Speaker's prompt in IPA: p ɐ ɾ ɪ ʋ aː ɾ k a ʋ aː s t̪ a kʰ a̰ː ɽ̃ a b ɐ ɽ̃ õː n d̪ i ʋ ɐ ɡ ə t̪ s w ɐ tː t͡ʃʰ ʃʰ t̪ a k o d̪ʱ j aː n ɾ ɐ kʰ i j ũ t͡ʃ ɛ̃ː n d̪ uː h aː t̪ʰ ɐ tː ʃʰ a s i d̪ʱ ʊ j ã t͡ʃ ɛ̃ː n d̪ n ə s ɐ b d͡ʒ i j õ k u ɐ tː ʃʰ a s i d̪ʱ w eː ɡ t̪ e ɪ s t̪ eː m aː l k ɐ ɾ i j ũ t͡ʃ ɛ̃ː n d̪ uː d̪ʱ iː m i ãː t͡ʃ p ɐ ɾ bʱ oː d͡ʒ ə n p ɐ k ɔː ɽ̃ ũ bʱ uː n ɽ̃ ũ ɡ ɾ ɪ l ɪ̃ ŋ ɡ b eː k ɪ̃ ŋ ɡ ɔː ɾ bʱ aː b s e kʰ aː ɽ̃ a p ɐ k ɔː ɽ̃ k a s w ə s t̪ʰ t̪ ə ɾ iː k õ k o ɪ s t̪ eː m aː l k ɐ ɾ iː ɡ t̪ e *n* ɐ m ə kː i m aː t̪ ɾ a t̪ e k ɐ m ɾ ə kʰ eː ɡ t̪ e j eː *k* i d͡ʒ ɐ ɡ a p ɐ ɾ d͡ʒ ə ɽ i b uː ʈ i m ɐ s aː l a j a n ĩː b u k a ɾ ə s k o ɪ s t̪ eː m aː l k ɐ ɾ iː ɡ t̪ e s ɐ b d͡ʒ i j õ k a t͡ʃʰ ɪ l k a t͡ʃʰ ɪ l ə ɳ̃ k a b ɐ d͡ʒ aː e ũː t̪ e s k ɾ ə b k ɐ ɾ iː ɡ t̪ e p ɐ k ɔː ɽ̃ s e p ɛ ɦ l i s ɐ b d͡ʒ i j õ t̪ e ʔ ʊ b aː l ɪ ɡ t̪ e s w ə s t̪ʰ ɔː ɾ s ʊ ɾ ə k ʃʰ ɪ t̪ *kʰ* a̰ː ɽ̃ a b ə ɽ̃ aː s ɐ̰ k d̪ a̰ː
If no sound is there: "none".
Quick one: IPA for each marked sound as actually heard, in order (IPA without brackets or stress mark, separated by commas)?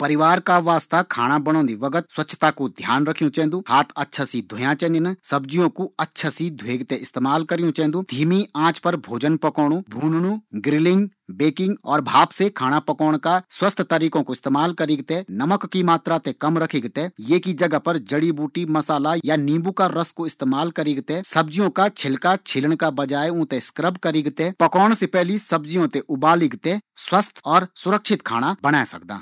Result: n, k, kʰ